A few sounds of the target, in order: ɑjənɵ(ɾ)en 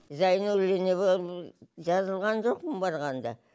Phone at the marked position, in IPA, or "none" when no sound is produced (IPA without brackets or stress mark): l